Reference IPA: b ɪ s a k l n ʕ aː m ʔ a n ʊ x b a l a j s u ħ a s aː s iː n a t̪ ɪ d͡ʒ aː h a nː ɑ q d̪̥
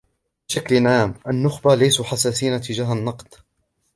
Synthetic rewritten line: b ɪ ʃ a k l n ʕ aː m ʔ a nː ʊ x b a l a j s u ħ a s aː s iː n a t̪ ɪ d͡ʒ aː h a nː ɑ q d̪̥